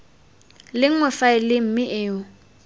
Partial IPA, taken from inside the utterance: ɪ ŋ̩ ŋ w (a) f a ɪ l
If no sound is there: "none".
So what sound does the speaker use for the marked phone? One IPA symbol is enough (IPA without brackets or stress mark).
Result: ɛ